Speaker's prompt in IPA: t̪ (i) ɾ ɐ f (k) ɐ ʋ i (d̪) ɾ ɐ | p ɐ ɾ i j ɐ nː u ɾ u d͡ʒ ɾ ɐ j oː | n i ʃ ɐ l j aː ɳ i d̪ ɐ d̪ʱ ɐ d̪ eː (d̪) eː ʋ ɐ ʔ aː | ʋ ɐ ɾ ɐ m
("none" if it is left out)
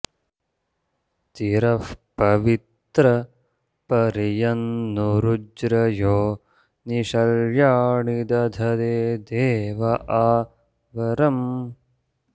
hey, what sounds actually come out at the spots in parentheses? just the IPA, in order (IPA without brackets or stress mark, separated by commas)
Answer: i, p, t̪, d̪